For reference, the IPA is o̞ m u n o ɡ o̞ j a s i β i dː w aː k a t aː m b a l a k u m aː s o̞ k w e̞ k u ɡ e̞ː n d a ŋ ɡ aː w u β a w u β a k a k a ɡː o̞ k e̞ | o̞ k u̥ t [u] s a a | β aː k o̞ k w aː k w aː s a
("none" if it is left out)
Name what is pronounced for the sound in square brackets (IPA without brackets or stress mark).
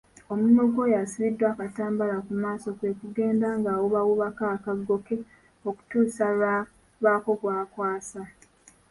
uː